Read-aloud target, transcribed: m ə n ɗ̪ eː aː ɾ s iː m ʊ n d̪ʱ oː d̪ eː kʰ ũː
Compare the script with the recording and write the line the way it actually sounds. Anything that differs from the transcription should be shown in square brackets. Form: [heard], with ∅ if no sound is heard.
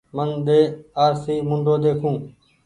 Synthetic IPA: m ə n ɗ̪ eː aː ɾ s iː m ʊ n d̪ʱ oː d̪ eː kʰ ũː

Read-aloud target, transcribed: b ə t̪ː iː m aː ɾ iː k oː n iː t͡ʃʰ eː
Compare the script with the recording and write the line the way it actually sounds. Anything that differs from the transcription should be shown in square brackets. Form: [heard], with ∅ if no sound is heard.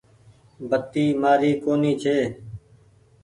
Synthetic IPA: b ə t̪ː iː m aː ɾ iː k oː n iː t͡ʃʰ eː

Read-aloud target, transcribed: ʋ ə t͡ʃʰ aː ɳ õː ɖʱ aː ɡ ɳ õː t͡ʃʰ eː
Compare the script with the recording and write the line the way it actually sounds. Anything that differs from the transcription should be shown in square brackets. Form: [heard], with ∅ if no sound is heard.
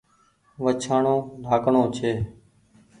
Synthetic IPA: ʋ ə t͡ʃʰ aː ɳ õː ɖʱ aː [k] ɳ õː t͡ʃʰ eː

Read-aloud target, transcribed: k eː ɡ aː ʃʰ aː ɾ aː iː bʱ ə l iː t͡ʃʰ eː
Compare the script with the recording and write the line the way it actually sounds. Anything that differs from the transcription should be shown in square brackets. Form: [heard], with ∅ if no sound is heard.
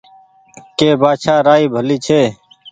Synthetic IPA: k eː [b] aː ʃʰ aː ɾ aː iː bʱ ə l iː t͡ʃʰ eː

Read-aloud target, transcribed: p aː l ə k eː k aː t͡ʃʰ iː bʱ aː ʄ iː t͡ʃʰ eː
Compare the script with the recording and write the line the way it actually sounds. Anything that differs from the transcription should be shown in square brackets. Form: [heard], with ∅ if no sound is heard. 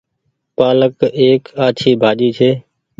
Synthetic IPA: p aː l ə k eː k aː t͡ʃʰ iː bʱ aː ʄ iː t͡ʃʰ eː

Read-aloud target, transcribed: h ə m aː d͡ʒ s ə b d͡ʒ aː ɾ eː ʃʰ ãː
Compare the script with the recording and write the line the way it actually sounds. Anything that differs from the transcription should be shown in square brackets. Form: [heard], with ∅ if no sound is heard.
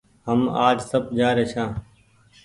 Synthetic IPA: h ə m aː d͡ʒ s ə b d͡ʒ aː ɾ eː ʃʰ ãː

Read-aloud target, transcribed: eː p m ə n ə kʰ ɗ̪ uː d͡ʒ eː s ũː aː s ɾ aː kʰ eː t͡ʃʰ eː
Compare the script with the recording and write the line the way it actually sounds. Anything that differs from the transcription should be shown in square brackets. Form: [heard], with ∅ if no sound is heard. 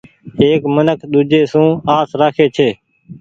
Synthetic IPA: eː [k] m ə n ə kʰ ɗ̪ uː d͡ʒ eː s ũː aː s ɾ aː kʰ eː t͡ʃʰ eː

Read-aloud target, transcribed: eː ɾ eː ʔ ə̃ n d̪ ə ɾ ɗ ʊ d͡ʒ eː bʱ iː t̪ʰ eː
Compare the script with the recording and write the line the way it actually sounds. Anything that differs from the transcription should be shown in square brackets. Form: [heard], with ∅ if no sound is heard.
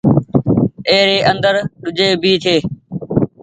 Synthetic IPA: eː ɾ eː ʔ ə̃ n d̪ ə ɾ ɗ ʊ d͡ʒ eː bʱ iː t̪ʰ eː

